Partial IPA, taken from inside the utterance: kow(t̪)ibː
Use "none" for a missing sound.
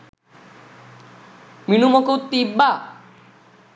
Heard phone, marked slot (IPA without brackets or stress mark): t̪